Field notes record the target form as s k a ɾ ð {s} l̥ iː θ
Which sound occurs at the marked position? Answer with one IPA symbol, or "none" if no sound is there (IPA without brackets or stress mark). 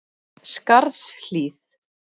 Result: s